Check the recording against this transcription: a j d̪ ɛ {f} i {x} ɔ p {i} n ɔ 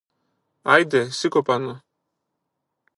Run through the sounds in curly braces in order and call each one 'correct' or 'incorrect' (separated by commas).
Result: incorrect, incorrect, incorrect